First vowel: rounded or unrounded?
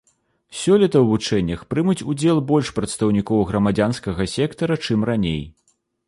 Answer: rounded